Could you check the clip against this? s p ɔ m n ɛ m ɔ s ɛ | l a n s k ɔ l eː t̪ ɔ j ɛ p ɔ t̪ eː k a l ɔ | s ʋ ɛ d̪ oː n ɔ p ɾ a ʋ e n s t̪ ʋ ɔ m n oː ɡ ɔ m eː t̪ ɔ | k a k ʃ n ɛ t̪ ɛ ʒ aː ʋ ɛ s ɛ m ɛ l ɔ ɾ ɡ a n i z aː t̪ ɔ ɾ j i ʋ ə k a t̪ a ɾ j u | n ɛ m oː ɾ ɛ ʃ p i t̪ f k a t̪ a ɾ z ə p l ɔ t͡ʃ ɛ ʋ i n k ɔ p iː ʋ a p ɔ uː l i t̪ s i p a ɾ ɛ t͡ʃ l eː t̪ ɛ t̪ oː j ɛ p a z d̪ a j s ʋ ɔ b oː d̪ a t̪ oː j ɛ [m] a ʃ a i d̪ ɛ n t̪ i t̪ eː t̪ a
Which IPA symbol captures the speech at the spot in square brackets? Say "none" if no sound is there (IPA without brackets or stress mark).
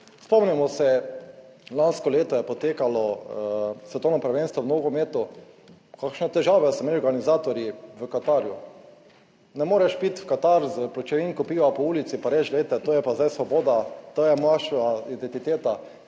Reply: m